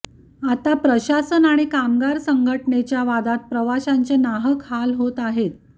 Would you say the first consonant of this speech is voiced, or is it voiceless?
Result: voiceless